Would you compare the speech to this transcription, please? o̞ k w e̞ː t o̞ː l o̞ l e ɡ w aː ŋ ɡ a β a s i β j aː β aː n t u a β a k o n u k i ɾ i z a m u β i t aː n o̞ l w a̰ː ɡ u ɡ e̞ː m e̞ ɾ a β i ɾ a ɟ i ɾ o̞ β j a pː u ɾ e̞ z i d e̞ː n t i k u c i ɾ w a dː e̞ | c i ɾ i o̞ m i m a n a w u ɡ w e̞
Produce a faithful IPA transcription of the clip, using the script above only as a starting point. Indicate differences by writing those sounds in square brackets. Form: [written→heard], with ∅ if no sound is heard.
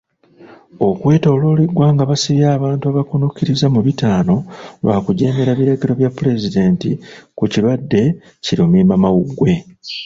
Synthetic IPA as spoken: o̞ k w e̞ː t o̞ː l o̞ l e ɡ w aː ŋ ɡ a β a s i β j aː β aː n t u a β a k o n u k i ɾ i z a m u β i t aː n o̞ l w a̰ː [ɡ→k] u [ɡ→ɟ] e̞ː m e̞ ɾ a β i ɾ a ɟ i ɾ o̞ β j a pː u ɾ e̞ z i d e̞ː n t i k u c i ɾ w a dː e̞ | c i ɾ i o̞ m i m a [n→m] a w u ɡ w e̞